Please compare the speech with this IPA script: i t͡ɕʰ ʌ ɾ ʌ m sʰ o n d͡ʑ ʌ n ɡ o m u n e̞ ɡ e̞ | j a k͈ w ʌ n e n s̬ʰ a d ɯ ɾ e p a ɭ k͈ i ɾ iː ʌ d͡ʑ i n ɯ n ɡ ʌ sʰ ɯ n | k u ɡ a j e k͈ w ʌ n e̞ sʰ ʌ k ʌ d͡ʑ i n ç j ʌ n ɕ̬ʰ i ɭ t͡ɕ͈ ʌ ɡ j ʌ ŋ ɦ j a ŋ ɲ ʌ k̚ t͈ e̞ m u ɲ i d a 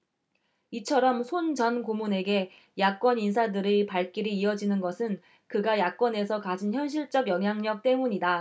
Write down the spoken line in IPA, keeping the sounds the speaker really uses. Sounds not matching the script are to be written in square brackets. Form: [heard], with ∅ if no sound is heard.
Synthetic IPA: i t͡ɕʰ ʌ ɾ ʌ m sʰ o n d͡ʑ ʌ n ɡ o m u n e̞ ɡ e̞ | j a k͈ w ʌ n [i] n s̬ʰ a d ɯ ɾ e p a ɭ k͈ i ɾ iː ʌ d͡ʑ i n ɯ n ɡ ʌ sʰ ɯ n | k [ɯ] ɡ a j [a] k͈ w ʌ n e̞ sʰ ʌ k [a] d͡ʑ i n ç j ʌ n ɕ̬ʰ i ɭ t͡ɕ͈ ʌ ɡ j ʌ ŋ ɦ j a ŋ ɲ ʌ k̚ t͈ e̞ m u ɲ i d a